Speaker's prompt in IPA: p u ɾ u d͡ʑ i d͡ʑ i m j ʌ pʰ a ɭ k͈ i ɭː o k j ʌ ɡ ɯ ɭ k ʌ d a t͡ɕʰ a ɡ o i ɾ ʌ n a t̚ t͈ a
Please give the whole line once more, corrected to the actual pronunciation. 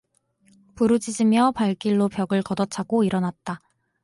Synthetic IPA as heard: p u ɾ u d͡ʑ i d͡ʑ i m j ʌ p a ɭ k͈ i ɭː o p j ʌ ɡ ɯ ɭ k ʌ d ʌ t͡ɕʰ a ɡ o i ɾ ʌ n a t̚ t͈ a